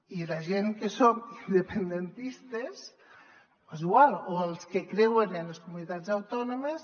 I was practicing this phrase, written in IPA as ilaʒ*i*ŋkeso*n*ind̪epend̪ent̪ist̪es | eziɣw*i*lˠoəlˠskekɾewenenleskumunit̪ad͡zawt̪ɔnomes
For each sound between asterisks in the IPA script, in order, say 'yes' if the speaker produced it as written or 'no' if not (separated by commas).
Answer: no, no, no